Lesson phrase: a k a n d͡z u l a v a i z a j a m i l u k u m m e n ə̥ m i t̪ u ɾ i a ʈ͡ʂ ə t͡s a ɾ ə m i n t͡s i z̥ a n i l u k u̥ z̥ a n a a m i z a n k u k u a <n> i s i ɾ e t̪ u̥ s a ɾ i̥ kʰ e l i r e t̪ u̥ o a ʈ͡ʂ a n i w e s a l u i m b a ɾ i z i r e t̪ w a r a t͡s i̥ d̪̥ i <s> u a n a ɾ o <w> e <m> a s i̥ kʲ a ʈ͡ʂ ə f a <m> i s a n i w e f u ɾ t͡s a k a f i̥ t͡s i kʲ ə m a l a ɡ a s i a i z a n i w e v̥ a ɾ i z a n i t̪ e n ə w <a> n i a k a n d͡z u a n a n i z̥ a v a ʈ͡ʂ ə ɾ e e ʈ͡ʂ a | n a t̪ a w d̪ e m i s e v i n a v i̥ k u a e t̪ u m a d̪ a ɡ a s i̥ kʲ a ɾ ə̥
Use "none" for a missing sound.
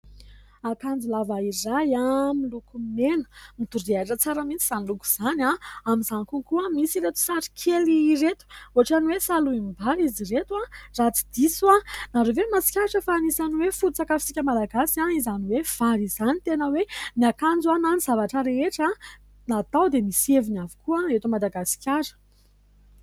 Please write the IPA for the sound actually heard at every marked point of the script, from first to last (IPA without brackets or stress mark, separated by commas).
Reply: m, s, v, m, n, e